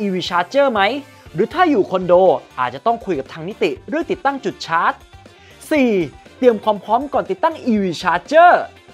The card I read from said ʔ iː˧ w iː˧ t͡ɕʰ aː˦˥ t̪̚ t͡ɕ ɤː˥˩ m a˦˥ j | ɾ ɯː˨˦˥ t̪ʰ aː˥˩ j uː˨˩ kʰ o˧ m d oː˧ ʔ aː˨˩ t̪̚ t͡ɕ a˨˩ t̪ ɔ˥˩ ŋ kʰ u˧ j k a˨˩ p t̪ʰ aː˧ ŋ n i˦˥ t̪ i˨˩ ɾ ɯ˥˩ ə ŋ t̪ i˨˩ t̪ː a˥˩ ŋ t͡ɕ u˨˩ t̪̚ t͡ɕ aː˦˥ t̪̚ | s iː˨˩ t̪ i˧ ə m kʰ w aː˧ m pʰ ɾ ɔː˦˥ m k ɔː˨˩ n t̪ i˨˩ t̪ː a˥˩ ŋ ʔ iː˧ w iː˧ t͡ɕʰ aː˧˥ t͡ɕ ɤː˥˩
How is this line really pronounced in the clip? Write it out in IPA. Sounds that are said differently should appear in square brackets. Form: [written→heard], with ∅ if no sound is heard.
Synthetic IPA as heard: ʔ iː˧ w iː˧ t͡ɕʰ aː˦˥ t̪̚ t͡ɕ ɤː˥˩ m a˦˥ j | ɾ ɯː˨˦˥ t̪ʰ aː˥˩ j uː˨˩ kʰ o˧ [m→n] d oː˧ ʔ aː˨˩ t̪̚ t͡ɕ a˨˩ t̪ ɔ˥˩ ŋ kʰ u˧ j k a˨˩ p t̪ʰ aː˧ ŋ n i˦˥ t̪ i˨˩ ɾ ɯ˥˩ ə ŋ t̪ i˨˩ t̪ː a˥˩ ŋ t͡ɕ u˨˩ t̪̚ [t͡ɕ→t͡ɕʰ] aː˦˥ t̪̚ | s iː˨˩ t̪ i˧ ə m kʰ w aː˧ m pʰ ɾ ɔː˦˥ m k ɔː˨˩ n t̪ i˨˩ t̪ː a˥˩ ŋ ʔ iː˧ w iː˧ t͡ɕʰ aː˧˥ t͡ɕ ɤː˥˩